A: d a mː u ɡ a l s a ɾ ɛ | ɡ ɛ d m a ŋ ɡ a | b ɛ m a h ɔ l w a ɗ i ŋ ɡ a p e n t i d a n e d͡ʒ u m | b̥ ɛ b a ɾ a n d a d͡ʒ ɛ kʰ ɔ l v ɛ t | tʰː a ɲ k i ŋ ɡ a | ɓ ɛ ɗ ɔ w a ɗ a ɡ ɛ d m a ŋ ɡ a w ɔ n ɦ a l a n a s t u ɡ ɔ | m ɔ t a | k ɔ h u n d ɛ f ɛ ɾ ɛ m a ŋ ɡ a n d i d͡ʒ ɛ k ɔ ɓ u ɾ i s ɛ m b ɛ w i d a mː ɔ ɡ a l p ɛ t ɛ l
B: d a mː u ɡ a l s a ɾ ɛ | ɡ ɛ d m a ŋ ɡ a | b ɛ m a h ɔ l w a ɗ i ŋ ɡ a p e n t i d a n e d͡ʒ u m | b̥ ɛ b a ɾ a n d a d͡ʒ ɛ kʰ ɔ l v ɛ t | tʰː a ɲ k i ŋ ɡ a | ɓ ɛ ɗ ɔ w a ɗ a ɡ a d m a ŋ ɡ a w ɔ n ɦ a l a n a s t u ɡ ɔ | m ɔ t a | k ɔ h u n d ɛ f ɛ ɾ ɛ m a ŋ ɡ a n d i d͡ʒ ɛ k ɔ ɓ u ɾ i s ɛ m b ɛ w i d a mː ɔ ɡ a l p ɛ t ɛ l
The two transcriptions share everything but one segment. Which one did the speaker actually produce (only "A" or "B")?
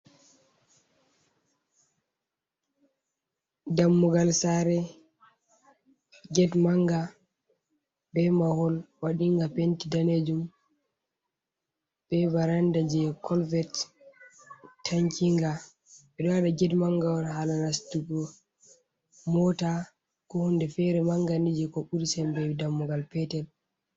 A